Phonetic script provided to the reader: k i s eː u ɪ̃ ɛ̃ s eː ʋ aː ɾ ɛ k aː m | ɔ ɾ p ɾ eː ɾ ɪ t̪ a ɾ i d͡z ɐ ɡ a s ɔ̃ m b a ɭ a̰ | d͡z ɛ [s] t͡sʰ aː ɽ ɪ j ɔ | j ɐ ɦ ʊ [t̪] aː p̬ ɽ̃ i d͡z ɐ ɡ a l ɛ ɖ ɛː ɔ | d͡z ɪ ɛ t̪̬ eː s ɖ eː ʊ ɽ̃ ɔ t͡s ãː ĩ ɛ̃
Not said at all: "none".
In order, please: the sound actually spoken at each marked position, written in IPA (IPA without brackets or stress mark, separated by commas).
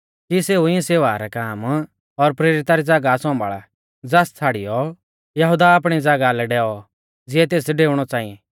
s, d̪